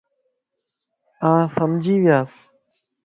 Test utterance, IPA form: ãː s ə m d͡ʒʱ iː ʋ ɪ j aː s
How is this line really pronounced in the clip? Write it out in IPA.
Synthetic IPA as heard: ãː s ə m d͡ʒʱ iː ʋ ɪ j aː s